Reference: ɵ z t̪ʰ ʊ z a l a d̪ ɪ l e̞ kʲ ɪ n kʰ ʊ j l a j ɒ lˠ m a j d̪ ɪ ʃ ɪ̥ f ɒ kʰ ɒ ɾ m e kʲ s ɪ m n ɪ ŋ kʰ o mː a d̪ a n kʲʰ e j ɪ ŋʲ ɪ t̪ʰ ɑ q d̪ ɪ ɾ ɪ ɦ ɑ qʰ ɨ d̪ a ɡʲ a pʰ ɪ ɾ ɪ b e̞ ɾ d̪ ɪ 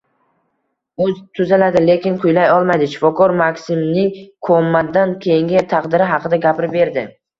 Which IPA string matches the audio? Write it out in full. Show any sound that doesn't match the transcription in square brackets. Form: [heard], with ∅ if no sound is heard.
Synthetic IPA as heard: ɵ z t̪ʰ ʊ z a l a d̪ ɪ l e̞ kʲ ɪ n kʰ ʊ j l a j ɒ lˠ m a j d̪ ɪ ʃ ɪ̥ f ɒ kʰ ɒ ɾ m [a] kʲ s ɪ m n ɪ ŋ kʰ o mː a d̪ a n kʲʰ e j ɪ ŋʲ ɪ t̪ʰ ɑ q d̪ ɪ ɾ ɪ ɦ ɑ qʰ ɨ d̪ a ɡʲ a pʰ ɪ ɾ ɪ b e̞ ɾ d̪ ɪ